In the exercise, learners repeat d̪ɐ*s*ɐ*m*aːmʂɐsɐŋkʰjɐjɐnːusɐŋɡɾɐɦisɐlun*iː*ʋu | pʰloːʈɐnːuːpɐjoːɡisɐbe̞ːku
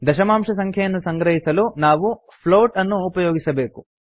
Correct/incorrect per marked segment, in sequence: incorrect, correct, incorrect

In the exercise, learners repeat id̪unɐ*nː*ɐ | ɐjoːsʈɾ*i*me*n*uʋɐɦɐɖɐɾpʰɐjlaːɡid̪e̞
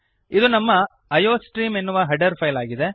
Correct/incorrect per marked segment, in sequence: incorrect, incorrect, incorrect

